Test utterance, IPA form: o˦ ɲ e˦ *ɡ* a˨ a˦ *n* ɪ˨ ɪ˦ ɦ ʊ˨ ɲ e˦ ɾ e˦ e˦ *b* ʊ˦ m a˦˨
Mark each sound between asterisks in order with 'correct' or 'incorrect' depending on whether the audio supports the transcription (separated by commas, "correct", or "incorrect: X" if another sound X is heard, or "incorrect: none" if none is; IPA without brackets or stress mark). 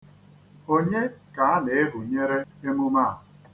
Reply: incorrect: k, correct, incorrect: m